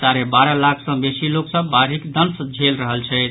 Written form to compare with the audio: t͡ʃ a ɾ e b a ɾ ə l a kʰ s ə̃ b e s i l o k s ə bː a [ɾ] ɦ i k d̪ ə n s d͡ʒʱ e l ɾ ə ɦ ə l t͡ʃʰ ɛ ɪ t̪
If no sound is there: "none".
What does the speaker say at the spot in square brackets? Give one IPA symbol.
ɾ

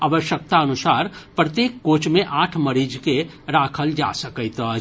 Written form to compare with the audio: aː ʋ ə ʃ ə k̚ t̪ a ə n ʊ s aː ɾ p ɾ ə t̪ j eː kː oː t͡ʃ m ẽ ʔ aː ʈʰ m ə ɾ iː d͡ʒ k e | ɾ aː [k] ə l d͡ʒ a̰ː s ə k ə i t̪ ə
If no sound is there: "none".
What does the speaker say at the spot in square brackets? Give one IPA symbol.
kʰ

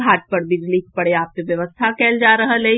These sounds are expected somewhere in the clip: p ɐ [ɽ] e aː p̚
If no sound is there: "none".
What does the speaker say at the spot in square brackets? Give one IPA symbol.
ɽ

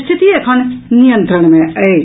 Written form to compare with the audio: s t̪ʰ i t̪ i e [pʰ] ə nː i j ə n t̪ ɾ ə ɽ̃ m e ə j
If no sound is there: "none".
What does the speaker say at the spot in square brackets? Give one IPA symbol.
kʰ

